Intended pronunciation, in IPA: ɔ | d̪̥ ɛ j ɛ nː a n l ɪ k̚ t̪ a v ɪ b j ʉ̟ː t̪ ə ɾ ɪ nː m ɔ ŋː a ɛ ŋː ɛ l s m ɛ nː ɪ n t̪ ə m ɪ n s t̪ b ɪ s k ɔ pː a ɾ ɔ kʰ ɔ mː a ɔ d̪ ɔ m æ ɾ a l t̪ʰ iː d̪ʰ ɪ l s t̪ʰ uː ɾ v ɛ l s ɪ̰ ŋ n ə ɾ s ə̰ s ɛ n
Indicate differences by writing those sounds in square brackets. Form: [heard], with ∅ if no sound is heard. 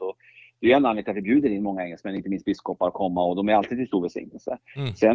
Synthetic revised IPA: ɔ | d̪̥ ɛ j ɛ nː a n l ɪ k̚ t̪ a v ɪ b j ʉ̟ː [d̪] ə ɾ ɪ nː m ɔ ŋː a ɛ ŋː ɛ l s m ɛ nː ɪ n t̪ ə m ɪ n s t̪ b ɪ s k ɔ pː a ɾ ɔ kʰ ɔ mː a ɔ d̪ ɔ m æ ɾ a l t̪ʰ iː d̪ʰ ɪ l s [t̪] uː ɾ v ɛ l s ɪ̰ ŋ n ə [l] s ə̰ s ɛ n